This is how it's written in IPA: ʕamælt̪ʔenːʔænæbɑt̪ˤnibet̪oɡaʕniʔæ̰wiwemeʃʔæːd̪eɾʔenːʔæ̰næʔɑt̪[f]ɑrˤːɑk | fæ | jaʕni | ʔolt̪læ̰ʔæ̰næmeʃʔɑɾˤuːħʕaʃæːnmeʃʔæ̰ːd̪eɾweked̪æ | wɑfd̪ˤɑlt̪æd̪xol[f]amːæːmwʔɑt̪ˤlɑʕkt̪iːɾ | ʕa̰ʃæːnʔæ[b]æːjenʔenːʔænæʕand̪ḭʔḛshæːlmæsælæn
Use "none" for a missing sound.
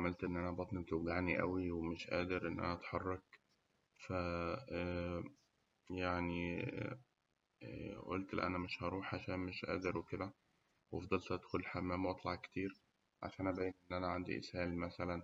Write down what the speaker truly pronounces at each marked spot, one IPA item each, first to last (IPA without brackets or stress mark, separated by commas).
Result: ħ, ħ, b